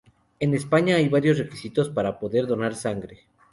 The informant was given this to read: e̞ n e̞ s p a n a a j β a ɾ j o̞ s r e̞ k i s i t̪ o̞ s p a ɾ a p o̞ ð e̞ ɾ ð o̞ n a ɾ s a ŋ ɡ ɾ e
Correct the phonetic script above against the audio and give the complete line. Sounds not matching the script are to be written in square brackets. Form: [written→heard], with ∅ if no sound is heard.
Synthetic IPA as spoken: e̞ n e̞ s p a [n→ɲ] a a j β a ɾ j o̞ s r e̞ k i s i t̪ o̞ s p a ɾ a p o̞ ð e̞ ɾ ð o̞ n a ɾ s a ŋ ɡ ɾ e